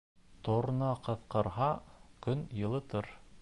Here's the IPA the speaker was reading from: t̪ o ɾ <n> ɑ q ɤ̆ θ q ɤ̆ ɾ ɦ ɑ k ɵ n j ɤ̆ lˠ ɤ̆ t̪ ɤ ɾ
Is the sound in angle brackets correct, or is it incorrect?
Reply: correct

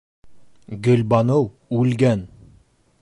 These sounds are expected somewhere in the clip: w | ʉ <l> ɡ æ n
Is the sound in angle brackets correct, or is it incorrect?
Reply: correct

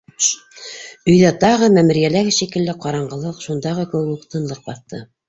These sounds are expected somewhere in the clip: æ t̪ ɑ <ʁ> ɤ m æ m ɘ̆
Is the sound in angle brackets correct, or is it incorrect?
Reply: correct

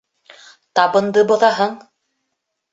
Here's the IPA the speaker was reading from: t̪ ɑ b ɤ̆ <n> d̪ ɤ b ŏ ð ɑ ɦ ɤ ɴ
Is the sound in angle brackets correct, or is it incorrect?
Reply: correct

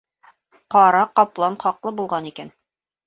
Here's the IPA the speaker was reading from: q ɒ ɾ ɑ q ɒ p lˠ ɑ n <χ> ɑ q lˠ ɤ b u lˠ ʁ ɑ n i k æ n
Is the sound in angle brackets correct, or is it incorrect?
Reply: correct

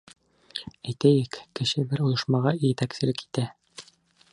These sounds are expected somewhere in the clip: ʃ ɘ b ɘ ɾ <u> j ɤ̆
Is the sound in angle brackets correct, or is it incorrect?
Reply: correct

